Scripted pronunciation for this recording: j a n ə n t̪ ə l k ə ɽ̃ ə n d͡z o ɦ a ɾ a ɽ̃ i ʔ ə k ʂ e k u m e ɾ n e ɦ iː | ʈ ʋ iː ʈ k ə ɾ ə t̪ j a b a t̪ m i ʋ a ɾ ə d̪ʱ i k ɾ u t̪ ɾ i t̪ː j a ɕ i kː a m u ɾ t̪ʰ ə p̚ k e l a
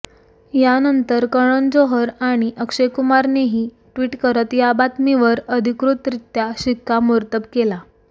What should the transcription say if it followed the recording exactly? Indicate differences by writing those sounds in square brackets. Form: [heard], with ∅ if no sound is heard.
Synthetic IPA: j a n ə n t̪ ə [ɾ] k ə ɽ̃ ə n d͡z o ɦ [ə] ɾ a ɽ̃ i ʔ ə k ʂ e k u m [a] ɾ n e ɦ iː | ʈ ʋ iː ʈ k ə ɾ ə t̪ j a b a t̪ m i ʋ [ə] ɾ ə d̪ʱ i k ɾ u t̪ ɾ i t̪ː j a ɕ i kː a m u ɾ [t̪] ə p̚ k e l a